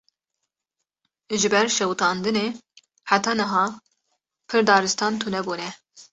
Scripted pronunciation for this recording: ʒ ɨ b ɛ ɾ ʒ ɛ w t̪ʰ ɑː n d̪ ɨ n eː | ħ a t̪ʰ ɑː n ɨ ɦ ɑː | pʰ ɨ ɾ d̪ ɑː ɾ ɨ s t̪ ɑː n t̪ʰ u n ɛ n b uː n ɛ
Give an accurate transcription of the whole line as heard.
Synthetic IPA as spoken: ʒ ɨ b ɛ ɾ ʃ ɛ w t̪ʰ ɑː n d̪ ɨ n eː | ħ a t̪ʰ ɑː n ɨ ɦ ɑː | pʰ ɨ ɾ d̪ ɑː ɾ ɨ s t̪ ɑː n t̪ʰ u n ɛ b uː n ɛ